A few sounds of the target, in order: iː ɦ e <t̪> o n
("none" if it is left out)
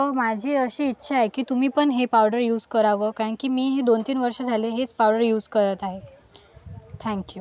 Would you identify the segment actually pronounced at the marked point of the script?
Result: d̪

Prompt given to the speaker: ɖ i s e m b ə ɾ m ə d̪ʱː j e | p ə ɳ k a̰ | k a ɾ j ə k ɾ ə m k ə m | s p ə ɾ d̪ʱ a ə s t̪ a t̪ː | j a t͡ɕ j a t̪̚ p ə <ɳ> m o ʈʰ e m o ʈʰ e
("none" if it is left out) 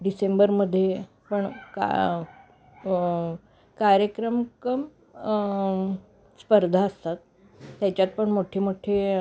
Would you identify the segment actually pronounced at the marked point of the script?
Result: ɳ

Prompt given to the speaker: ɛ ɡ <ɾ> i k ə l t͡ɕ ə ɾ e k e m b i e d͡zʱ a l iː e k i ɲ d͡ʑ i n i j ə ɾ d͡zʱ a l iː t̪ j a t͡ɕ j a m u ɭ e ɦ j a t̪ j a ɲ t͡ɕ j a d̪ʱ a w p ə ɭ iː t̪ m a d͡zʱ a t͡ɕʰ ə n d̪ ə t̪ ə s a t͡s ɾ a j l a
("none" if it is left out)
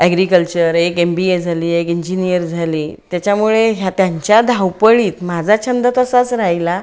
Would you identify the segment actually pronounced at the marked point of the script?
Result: ɾ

